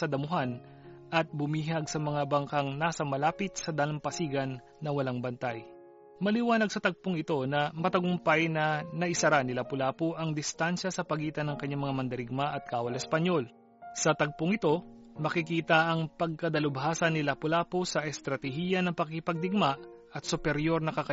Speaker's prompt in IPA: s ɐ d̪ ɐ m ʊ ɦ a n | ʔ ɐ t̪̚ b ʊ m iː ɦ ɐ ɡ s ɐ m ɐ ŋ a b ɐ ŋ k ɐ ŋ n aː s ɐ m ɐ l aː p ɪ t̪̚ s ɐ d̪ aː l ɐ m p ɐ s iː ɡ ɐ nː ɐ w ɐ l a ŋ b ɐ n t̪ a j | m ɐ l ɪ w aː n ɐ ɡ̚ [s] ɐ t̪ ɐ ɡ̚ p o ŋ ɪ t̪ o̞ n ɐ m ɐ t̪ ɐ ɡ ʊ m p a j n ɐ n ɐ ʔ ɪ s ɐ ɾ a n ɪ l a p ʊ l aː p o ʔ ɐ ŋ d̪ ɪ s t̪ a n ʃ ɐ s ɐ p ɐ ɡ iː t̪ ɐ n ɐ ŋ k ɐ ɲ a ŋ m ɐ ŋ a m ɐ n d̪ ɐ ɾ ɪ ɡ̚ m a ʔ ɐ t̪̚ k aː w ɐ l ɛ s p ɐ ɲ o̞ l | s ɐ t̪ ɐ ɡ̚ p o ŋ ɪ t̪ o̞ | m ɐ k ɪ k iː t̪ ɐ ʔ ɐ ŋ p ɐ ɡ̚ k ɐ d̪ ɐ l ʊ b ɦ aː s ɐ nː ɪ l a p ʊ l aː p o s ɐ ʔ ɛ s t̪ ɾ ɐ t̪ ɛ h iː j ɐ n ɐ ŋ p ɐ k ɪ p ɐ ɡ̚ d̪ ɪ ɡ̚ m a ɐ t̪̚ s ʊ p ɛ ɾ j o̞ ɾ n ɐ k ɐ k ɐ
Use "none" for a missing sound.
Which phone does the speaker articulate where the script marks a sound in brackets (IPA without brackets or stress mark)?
s